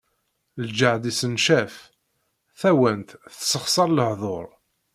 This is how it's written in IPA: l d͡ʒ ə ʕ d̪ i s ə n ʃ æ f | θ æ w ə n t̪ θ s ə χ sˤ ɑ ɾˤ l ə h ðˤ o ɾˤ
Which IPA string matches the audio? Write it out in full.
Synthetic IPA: l d͡ʒ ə ʕ d̪ i s ə n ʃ æ f | θ æ w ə n t̪ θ s ə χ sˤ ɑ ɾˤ l ə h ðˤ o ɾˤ